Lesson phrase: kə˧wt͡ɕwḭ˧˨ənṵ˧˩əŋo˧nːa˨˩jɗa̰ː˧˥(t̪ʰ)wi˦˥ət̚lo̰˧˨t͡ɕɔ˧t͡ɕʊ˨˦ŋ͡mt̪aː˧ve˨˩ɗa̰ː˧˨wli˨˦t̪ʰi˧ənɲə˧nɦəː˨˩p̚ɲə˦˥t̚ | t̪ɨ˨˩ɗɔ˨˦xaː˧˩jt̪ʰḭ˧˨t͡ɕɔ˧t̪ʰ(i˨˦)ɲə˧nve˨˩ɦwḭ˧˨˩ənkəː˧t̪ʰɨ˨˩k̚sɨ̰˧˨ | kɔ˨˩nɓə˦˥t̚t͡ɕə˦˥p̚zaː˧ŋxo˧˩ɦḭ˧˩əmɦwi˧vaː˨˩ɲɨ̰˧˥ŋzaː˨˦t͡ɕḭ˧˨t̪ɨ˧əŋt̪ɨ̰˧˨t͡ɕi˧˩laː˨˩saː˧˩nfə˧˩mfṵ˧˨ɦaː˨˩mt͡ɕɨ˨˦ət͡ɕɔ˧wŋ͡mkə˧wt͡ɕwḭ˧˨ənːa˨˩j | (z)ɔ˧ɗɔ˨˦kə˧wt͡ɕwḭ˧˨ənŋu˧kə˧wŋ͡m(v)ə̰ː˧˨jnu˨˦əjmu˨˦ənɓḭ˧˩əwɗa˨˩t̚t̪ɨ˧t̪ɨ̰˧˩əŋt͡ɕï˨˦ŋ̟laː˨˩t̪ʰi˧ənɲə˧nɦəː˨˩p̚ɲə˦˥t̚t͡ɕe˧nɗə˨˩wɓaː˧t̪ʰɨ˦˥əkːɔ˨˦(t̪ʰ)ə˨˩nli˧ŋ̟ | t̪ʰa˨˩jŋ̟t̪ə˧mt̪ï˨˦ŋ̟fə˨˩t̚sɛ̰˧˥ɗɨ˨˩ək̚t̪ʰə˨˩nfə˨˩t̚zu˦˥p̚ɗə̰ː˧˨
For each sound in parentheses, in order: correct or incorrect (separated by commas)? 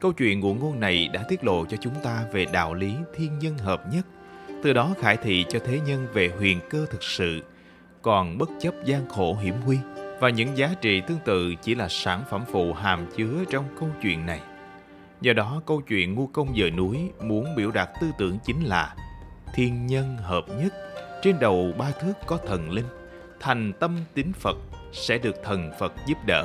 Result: incorrect, incorrect, correct, incorrect, correct